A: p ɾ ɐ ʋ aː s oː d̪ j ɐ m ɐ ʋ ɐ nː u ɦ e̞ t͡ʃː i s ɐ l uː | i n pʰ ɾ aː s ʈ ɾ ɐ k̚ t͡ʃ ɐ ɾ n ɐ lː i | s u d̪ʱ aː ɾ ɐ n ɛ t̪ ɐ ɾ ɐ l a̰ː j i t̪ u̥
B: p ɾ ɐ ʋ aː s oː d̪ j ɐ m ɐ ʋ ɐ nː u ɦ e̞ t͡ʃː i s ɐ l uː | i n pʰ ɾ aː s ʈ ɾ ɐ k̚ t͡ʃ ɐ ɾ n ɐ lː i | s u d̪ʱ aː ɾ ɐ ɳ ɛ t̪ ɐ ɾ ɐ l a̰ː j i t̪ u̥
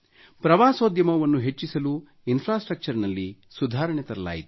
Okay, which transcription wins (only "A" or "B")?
B